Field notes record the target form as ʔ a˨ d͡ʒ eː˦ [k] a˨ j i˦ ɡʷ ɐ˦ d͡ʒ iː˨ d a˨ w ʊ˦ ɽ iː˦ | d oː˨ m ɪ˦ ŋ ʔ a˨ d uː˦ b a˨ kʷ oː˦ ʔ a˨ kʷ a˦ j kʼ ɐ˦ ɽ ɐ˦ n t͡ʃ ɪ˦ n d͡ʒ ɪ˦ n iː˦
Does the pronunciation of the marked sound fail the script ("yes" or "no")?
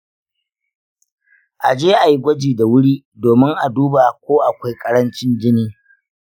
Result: yes